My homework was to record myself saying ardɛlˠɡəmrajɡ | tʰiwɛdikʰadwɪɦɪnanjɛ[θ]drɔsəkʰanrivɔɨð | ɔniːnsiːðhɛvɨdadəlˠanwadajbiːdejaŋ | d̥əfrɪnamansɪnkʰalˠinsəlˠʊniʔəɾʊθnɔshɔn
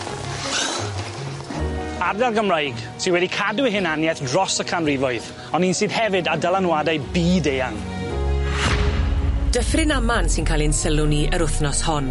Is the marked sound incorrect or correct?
correct